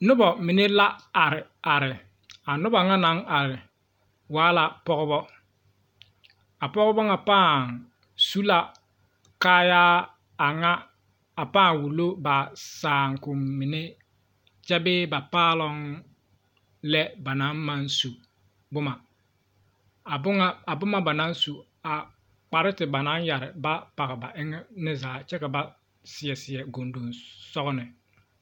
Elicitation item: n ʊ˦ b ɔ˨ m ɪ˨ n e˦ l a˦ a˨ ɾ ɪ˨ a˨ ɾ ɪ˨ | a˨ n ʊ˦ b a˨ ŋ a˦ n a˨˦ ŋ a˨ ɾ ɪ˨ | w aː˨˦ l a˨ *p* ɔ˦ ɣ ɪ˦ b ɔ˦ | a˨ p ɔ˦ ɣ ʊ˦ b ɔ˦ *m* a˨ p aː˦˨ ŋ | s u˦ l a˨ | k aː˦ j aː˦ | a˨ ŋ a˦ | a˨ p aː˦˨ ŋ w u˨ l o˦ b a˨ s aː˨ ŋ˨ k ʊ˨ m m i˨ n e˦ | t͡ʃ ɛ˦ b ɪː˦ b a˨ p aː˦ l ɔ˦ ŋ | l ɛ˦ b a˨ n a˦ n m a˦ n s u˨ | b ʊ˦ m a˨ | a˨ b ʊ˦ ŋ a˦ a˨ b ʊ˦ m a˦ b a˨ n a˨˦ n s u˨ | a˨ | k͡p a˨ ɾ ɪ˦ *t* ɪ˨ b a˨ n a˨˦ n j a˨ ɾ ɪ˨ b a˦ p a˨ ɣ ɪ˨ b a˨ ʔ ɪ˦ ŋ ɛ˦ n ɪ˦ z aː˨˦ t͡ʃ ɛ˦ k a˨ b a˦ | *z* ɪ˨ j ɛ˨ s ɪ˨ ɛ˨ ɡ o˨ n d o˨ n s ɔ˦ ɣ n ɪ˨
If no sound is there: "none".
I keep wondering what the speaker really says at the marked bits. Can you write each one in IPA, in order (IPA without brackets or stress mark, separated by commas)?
p, ŋ, t, s